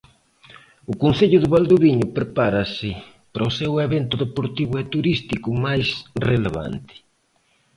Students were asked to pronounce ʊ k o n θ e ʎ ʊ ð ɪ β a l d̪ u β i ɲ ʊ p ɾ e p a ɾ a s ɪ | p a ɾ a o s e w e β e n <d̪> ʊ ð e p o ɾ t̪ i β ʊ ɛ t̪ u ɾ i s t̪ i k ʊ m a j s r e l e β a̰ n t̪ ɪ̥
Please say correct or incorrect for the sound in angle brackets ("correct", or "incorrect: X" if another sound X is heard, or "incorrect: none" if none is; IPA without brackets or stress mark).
incorrect: t̪